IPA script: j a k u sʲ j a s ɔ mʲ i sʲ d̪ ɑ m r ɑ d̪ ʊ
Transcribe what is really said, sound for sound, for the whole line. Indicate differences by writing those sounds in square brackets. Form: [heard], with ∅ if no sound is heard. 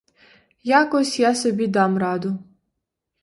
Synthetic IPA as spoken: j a k [ɔ] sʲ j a s ɔ [bʲ] i [∅] d̪ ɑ m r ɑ d̪ ʊ